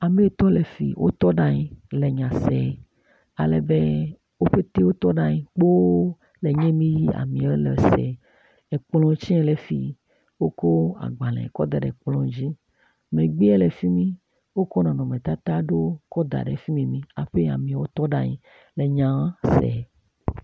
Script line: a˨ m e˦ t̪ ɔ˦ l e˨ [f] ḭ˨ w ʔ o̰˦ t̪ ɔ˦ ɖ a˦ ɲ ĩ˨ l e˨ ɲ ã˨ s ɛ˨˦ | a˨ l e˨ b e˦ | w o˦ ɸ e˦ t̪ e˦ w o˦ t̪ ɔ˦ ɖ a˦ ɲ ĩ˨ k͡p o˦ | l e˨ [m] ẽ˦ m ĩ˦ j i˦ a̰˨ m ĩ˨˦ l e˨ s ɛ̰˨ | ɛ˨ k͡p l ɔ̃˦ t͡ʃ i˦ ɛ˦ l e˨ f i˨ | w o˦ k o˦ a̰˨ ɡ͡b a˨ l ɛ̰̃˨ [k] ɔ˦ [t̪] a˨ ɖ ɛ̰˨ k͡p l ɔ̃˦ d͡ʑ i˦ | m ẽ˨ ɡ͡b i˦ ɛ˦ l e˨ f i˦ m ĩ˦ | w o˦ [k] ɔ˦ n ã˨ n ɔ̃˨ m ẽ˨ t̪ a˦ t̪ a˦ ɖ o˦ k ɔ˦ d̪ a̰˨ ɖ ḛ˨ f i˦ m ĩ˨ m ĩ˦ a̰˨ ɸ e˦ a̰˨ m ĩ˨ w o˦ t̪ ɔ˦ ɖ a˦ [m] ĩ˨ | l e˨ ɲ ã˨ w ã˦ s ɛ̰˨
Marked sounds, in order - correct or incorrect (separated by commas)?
correct, incorrect, correct, incorrect, correct, incorrect